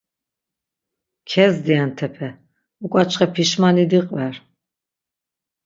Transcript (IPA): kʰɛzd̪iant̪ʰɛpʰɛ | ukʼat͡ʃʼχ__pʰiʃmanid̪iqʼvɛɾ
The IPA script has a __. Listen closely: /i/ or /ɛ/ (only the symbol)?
ɛ